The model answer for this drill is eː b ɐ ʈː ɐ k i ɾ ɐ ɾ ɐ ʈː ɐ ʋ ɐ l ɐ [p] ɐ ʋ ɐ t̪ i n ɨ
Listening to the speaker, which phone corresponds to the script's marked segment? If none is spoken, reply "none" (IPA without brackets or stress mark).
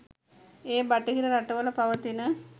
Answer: p